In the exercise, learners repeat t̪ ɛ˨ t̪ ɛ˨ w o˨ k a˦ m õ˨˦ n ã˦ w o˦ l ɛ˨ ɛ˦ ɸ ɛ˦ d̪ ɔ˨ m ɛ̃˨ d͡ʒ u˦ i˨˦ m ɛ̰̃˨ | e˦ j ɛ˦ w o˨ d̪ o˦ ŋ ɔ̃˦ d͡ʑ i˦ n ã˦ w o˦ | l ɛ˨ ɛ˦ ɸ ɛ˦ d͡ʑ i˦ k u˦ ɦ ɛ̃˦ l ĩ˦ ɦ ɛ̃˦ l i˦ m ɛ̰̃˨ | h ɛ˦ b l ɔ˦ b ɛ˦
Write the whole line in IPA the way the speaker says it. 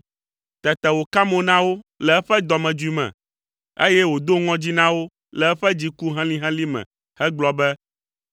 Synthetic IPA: t̪ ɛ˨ t̪ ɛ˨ w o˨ k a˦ m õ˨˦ n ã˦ w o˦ l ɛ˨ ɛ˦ ɸ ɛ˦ d̪ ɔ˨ m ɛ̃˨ d͡ʒ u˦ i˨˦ m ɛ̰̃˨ | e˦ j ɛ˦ w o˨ d̪ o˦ ŋ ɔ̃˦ d͡ʑ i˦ n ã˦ w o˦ | l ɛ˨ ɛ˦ ɸ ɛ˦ d͡ʑ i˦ k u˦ ɦ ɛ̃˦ l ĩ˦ ɦ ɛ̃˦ l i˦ m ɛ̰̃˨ | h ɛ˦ ɡ͡b l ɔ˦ b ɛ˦